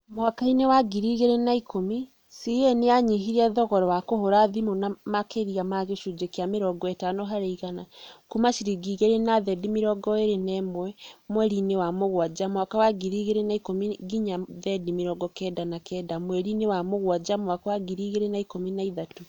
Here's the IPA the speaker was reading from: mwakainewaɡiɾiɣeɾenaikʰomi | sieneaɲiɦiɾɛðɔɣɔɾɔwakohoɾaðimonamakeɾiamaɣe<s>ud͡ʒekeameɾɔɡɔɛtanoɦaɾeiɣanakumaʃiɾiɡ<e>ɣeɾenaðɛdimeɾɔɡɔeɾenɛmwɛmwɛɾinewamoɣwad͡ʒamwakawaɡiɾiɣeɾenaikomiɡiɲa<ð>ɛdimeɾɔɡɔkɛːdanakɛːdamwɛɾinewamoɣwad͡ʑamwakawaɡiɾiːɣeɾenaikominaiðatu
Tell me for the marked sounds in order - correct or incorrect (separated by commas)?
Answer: incorrect, incorrect, correct